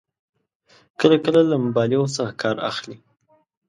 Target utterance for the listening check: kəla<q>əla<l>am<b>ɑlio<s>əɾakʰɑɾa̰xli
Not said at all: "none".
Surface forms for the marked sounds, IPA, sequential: k, l, b, s

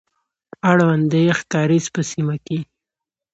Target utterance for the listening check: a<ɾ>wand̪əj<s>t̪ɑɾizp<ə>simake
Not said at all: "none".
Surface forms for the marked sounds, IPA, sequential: ɽ, x, ə

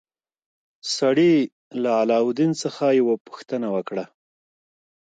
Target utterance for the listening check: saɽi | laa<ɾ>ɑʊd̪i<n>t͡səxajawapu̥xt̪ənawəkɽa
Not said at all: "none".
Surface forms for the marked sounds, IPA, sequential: l, n

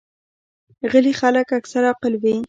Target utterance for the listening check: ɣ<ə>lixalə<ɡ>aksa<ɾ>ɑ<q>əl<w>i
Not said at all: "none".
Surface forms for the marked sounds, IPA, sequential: ə, k, ɾ, q, w

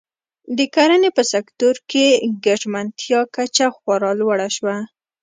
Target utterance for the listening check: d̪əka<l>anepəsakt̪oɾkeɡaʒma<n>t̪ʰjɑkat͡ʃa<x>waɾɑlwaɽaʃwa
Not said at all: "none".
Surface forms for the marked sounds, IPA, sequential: ɾ, n, x

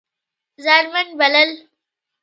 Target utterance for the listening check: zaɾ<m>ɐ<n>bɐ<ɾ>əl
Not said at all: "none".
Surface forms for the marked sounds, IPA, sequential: m, n, l

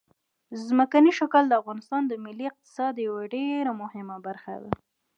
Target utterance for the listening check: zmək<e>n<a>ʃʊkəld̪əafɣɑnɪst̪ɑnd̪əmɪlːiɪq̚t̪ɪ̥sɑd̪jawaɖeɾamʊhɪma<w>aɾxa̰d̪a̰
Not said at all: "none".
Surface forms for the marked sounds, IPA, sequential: a, i, b

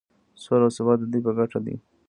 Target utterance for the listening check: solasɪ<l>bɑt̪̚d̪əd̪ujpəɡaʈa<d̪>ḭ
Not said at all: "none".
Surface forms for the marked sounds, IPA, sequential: none, d̪

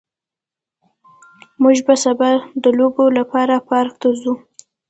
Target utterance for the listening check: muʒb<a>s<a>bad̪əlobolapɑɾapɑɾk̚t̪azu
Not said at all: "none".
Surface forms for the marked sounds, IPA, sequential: a, a

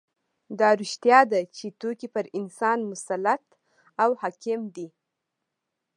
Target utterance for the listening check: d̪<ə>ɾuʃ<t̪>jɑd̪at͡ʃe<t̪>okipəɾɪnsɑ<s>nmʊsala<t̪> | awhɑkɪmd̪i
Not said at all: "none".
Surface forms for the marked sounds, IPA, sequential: ɑ, t̪, t̪, none, t̪

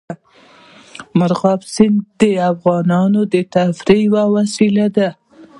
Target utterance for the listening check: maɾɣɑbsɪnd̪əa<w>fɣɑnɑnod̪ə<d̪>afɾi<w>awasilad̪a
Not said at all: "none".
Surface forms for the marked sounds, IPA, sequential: none, t̪, w

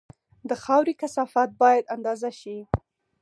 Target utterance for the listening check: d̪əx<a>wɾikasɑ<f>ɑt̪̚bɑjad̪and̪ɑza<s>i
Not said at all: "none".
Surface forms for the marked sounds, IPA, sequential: ɑ, f, ʃ

